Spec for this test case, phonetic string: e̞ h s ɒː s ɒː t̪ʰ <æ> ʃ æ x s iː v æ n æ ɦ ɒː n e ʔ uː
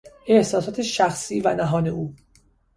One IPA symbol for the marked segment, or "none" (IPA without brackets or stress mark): e